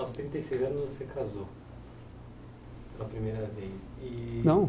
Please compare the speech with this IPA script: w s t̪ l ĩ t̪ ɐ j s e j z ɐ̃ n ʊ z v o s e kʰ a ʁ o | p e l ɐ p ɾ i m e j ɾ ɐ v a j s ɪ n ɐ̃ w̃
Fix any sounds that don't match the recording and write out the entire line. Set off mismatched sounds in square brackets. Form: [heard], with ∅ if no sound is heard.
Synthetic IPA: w s t̪ [ɾ] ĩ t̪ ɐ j s e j z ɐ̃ n ʊ z v o s e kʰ a [z] o | p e l ɐ p ɾ i m e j ɾ ɐ v [e] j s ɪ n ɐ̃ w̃